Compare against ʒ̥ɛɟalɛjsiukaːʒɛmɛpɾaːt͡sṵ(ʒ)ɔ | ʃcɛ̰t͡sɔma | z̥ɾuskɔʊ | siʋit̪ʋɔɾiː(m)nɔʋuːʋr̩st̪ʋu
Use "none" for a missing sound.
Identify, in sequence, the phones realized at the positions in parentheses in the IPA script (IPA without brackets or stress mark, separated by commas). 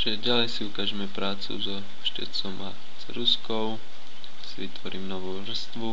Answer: z, m